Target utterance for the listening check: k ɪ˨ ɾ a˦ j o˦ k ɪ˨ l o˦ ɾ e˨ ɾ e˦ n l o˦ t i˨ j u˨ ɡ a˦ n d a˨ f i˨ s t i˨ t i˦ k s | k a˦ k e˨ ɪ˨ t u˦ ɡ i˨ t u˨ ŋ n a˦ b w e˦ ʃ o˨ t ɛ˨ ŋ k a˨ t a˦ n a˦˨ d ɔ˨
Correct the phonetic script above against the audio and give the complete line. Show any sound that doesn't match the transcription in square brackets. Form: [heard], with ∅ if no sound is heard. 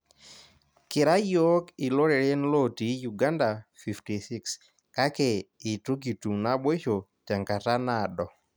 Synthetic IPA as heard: k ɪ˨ ɾ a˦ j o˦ k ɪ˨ l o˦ ɾ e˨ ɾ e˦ n l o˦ t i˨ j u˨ ɡ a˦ n d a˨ f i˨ [f] t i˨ [s] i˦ k s | k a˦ k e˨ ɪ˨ t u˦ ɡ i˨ t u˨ ŋ n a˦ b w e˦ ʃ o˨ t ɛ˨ ŋ k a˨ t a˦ n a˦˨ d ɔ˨